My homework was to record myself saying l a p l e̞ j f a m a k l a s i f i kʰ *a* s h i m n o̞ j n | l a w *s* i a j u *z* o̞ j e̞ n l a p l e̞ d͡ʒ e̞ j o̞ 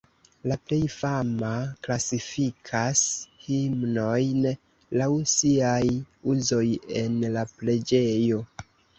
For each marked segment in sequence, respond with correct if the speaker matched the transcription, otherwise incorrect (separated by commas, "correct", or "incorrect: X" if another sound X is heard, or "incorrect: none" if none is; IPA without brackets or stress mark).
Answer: correct, correct, correct